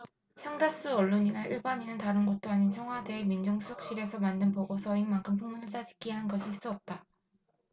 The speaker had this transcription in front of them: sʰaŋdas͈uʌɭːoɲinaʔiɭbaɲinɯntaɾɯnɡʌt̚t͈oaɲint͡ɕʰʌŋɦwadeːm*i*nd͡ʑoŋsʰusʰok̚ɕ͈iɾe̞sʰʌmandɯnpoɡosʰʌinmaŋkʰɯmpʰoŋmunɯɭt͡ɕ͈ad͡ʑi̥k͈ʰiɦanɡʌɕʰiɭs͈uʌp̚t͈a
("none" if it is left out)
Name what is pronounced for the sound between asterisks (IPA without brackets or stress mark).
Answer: i